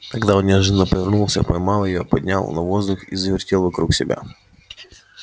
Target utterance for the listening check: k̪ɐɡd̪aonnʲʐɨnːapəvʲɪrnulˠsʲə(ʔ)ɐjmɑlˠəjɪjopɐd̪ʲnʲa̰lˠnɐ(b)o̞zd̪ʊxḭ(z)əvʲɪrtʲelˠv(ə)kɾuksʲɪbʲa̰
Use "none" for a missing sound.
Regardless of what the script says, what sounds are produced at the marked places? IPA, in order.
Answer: p, v, z, ɐ

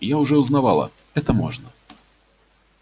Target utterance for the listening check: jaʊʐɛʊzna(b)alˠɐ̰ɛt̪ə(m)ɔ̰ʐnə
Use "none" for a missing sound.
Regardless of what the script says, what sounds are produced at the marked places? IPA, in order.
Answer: v, m

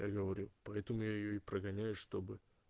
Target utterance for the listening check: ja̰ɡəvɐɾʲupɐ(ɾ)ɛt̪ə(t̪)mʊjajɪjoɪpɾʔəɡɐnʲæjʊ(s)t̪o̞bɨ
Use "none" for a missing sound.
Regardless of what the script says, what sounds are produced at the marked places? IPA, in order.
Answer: none, none, ʂ

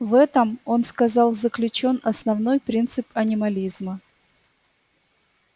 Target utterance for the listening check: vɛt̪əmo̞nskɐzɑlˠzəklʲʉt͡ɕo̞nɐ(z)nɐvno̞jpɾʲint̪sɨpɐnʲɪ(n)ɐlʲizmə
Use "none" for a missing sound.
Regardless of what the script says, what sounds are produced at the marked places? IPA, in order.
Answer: s, m

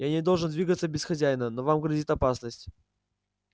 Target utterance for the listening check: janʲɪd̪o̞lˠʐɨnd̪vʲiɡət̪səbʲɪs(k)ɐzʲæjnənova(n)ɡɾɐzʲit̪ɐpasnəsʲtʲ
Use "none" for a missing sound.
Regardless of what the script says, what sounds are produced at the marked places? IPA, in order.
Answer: x, m

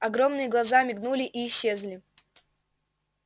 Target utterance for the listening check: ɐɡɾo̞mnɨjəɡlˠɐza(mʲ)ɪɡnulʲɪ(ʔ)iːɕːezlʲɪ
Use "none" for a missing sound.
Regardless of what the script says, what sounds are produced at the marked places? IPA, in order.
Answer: mʲ, ʔ

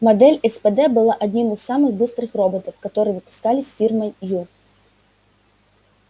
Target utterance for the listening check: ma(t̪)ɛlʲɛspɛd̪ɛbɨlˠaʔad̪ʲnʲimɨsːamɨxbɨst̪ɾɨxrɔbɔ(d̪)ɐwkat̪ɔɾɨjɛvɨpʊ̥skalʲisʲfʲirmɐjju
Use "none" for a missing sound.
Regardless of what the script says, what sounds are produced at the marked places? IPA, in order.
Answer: d̪, t̪

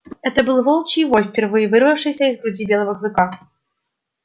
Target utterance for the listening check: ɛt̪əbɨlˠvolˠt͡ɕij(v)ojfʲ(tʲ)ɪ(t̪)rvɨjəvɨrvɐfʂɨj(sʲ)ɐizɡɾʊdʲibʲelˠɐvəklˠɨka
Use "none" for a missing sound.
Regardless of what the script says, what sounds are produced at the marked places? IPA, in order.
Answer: v, pʲ, none, sʲ

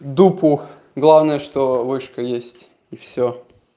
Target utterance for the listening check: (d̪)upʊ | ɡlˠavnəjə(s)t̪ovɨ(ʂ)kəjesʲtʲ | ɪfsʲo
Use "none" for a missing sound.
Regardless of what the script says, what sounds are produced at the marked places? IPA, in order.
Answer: d̪, ʂ, ʂ

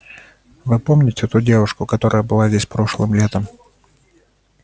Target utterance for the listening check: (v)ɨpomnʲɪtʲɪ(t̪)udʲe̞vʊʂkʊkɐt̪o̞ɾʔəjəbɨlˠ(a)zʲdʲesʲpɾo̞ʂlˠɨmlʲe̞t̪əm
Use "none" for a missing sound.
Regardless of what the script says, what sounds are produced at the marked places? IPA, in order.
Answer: v, t̪, a

